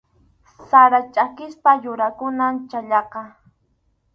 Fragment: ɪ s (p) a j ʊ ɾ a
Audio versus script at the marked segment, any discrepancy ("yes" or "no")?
no